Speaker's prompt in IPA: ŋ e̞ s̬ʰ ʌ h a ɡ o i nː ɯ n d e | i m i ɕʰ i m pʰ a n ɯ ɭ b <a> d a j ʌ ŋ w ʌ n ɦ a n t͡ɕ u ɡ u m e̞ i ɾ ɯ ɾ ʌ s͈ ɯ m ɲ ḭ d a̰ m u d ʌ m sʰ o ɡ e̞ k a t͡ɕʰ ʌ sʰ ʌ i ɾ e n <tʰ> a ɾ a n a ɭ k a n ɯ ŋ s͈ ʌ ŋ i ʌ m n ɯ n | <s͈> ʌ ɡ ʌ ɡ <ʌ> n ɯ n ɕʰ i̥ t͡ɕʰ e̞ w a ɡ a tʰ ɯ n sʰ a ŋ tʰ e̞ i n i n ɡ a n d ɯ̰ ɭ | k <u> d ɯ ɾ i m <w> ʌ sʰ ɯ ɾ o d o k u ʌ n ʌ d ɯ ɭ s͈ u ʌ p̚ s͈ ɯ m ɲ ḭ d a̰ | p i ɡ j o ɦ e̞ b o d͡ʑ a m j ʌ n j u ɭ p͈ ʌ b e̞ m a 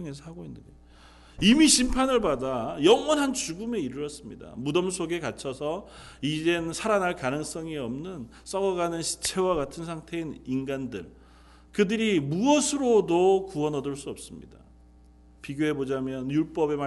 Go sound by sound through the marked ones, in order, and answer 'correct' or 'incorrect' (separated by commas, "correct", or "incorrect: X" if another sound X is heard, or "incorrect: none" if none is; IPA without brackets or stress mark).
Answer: correct, incorrect: sʰ, correct, incorrect: a, incorrect: ɯ, incorrect: u